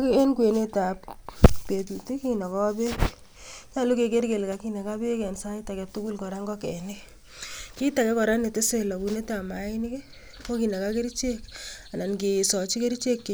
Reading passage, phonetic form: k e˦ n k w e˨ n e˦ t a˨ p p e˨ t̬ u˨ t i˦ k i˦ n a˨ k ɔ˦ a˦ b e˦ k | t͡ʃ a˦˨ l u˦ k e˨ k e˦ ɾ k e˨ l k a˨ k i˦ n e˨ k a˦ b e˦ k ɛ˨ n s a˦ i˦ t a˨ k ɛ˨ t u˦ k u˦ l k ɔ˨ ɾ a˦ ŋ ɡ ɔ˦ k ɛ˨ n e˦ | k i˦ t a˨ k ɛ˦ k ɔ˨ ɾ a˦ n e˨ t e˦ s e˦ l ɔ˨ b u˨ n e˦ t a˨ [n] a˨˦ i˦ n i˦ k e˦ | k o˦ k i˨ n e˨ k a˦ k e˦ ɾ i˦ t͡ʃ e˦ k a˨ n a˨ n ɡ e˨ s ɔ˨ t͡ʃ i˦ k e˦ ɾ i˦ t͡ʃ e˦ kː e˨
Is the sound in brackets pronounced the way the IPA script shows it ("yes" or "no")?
no